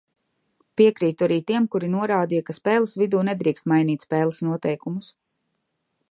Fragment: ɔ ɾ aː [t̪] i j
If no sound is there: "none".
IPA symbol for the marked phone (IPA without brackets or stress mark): d̪